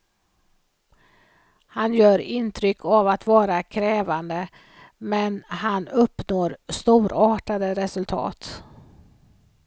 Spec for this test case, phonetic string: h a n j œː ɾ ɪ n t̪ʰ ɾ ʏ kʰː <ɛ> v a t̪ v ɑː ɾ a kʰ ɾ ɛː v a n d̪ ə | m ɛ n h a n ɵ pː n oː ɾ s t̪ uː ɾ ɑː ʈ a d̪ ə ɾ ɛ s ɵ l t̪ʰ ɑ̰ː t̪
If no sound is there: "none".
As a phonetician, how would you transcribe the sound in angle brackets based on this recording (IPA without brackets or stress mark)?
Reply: a